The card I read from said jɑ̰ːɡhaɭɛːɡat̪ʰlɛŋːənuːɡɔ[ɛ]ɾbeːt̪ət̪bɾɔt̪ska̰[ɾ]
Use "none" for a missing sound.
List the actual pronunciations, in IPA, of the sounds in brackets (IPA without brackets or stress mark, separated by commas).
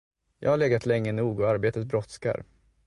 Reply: a, ɾ